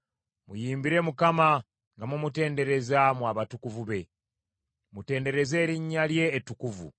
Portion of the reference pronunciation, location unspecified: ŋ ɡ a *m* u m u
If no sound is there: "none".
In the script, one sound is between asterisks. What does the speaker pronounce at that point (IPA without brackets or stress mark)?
m